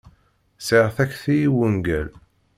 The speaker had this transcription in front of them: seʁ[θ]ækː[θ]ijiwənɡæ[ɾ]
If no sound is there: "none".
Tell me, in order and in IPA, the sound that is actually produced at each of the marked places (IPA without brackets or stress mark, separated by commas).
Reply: θ, θ, l